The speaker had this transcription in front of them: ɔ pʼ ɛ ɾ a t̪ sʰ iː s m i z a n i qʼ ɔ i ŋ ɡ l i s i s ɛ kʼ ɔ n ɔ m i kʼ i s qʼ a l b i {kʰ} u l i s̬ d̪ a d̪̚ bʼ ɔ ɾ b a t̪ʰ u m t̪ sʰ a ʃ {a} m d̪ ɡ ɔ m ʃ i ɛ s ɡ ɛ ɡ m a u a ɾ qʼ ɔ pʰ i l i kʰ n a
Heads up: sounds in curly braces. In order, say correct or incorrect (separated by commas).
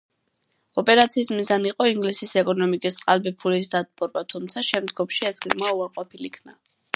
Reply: incorrect, incorrect